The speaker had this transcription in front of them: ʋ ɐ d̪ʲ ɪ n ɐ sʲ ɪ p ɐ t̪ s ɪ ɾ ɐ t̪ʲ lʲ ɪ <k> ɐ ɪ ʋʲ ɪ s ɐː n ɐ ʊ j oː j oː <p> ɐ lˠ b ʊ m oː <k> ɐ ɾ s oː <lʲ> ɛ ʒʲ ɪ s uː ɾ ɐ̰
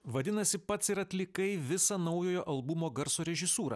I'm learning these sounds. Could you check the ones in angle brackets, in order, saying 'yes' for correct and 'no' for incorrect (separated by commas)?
yes, no, no, no